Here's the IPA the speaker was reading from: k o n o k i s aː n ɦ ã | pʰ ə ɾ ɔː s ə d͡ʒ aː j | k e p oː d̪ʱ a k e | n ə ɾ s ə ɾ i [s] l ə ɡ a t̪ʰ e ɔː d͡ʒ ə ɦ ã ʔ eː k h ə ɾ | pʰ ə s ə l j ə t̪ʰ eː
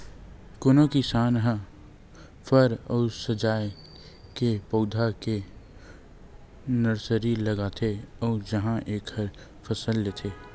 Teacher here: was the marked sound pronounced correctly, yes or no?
no